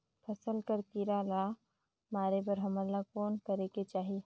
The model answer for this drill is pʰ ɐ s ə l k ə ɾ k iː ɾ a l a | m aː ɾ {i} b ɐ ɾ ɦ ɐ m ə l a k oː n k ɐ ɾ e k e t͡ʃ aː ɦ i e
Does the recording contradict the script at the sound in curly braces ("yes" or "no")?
yes